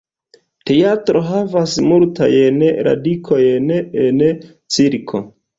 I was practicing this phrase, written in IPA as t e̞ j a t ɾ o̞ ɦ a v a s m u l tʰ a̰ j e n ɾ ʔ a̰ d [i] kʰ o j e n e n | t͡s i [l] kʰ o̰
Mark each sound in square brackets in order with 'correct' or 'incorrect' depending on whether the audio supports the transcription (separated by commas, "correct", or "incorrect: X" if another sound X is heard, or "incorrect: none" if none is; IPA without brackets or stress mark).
correct, incorrect: ɾ